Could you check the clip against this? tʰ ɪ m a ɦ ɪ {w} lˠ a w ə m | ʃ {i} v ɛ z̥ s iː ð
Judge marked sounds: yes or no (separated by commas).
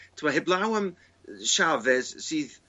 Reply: no, no